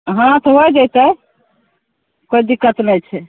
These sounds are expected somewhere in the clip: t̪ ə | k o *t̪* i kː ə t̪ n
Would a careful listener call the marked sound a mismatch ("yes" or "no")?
yes